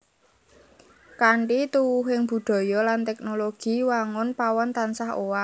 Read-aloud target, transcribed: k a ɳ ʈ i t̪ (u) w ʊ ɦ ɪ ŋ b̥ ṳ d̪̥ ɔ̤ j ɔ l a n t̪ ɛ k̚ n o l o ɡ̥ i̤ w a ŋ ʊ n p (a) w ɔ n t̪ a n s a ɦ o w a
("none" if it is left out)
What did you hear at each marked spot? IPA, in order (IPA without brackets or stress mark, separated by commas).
u, a